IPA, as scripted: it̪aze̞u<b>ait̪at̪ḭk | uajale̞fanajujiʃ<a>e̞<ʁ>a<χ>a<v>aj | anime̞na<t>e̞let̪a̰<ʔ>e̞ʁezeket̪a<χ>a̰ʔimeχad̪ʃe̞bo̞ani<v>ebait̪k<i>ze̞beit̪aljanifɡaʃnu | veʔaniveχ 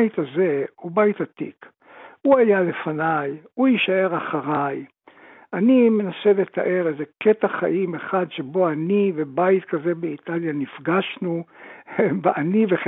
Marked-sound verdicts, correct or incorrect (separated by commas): correct, correct, correct, correct, incorrect, incorrect, correct, correct, correct, incorrect